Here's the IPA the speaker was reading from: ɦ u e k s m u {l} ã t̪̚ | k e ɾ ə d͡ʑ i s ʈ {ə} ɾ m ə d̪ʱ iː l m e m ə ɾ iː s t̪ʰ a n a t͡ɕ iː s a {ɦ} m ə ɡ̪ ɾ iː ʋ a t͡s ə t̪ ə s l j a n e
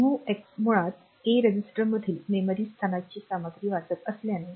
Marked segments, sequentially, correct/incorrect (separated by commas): incorrect, correct, incorrect